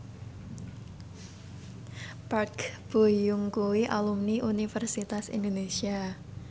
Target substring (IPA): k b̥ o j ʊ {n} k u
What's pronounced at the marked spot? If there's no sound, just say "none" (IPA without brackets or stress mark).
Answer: ŋ